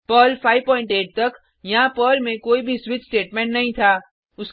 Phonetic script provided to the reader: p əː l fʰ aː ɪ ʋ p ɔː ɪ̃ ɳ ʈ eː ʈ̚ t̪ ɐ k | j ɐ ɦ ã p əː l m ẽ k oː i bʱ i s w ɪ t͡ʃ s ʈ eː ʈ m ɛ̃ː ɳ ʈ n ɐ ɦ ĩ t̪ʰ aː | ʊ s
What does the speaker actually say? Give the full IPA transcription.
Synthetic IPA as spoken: p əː l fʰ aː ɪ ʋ p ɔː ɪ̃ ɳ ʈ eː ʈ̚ t̪ ɐ k | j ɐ ɦ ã p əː l m ẽ k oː i bʱ i s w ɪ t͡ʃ s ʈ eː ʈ m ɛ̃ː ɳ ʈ n ɐ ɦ ĩ t̪ʰ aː | ʊ s

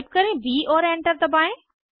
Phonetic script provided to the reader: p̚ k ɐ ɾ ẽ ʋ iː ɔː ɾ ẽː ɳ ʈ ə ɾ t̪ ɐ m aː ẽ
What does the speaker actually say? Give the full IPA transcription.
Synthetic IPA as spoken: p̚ k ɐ ɾ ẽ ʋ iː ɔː ɾ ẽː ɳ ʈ ə ɾ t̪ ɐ b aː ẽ

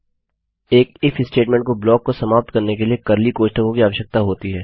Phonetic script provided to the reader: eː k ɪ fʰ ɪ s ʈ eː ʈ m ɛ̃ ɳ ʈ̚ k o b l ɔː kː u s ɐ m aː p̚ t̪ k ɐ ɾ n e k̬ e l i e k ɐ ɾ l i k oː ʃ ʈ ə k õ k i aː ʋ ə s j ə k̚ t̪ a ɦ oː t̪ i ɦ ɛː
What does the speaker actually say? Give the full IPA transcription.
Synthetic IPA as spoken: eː k ɪ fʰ ɪ s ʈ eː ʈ m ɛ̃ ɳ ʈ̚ k o b l ɔː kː o s ɐ m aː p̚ t̪ k ɐ ɾ n e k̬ e l i e k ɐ ɾ l i k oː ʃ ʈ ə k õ k i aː ʋ ə ʃ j ə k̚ t̪ a ɦ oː t̪ i ɦ ɛː

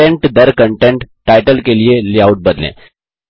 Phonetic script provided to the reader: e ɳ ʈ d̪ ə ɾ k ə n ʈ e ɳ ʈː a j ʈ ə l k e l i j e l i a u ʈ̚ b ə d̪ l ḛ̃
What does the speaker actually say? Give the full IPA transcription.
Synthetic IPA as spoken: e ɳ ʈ d̪ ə ɾ k ə ɳ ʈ e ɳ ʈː a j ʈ ə l k e l i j e l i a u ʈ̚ b ə d̪ l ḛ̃

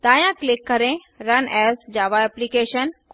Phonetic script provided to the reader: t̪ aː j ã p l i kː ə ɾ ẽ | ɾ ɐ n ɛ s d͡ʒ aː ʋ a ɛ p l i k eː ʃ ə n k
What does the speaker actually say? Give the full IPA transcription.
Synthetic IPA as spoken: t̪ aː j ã k l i kː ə ɾ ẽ | ɾ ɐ n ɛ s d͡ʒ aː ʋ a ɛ p l i k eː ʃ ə n k

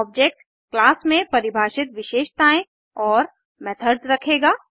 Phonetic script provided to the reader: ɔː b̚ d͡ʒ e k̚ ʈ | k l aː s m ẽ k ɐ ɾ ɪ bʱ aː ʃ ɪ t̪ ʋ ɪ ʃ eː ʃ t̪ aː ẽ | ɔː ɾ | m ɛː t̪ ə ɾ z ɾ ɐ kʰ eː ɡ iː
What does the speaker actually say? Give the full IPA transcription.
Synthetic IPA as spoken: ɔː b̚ d͡ʒ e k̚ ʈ | k l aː s m ẽ p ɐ ɾ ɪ bʱ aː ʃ ɪ t̪ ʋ ɪ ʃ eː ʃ t̪ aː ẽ | ɔː ɾ | m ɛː t̪ʰ ə ɾ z ɾ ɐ kʰ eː ɡ aː

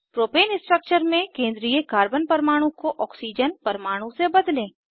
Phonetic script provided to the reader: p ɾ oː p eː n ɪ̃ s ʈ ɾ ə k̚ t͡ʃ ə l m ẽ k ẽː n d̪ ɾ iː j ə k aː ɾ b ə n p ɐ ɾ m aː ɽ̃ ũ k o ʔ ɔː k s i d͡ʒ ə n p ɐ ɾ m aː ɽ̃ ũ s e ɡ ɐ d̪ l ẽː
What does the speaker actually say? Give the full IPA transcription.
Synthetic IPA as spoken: p ɾ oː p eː n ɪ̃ s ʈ ɾ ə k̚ t͡ʃ ə ɾ m ẽ k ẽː n d̪ ɾ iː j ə k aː ɾ b ə n p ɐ ɾ m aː ɽ̃ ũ k o ʔ ɔː k s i d͡ʒ ə n p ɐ ɾ m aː ɽ̃ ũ s e b ɐ d̪ l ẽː

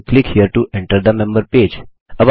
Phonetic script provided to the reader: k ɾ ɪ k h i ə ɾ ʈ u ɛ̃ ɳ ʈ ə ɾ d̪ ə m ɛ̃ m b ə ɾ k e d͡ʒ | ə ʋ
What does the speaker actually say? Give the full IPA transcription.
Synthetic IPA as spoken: k l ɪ k h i ə ɾ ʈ u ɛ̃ ɳ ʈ ə ɾ d̪ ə m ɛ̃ m b ə ɾ p e d͡ʒ | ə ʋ

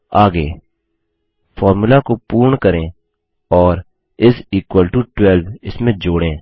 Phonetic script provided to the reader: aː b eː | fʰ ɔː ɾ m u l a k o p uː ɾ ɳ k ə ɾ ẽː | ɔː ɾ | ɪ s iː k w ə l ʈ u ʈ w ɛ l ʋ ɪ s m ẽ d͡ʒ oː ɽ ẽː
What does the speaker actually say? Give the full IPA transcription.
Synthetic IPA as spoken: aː ɡ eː | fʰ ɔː ɾ m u l a k o p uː ɾ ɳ k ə ɾ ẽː | ɔː ɾ | ɪ s iː k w ə l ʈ u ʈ w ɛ l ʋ ɪ s m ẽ d͡ʒ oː ɽ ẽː

